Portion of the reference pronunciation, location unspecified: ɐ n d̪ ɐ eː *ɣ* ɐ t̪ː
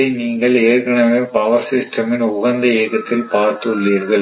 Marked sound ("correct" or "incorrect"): correct